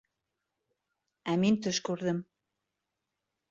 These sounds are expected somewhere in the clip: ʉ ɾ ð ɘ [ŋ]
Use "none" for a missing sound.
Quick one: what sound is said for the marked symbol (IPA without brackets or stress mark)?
m